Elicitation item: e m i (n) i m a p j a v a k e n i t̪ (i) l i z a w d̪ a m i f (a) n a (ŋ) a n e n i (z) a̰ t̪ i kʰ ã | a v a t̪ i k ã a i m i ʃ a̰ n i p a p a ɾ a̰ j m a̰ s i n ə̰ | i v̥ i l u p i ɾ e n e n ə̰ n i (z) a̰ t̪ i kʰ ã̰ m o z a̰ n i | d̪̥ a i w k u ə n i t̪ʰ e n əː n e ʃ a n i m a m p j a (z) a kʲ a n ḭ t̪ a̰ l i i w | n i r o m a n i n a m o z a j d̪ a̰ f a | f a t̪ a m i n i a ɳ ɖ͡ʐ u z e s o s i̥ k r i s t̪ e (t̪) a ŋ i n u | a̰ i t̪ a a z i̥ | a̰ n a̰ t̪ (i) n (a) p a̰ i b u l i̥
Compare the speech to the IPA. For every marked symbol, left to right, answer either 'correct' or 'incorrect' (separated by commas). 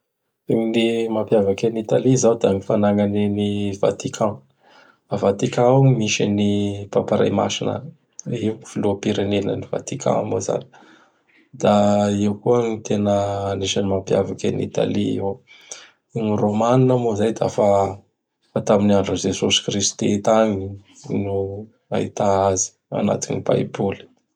correct, incorrect, correct, correct, incorrect, incorrect, incorrect, correct, correct, incorrect